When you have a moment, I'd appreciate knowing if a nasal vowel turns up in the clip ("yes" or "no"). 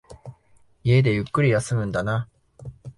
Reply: yes